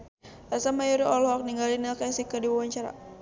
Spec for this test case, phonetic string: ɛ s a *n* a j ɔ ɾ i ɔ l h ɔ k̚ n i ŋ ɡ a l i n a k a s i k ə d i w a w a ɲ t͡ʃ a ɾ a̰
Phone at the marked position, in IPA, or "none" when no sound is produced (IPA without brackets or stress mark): m